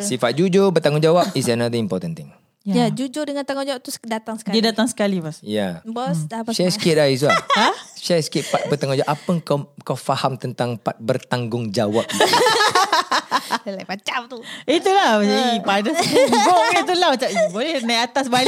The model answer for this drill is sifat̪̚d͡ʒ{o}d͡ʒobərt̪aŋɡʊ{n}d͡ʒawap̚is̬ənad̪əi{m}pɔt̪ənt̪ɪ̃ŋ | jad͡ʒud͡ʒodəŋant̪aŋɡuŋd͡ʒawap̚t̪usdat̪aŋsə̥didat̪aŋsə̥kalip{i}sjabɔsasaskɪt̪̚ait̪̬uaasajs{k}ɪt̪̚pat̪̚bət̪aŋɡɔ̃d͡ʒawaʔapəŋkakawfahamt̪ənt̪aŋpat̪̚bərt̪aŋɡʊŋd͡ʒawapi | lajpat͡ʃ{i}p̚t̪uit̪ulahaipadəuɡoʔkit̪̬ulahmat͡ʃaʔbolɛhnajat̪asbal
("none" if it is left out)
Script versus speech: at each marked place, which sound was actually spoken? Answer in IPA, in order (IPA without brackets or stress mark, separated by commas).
u, ŋ, m, a, k, a